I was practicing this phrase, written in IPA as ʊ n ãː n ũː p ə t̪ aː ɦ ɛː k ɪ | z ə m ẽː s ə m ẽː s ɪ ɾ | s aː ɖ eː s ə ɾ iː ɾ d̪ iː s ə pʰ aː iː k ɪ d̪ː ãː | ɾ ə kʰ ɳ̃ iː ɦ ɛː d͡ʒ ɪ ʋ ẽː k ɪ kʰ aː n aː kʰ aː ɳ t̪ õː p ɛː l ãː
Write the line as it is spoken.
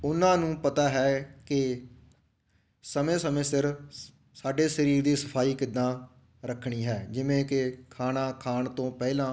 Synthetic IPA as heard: ʊ n ãː n ũː p ə t̪ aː ɦ ɛː k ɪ | s ə m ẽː s ə m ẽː s ɪ ɾ | s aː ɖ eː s ə ɾ iː ɾ d̪ iː s ə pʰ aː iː k ɪ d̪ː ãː | ɾ ə kʰ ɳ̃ iː ɦ ɛː d͡ʒ ɪ ʋ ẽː k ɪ kʰ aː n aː kʰ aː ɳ t̪ õː p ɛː l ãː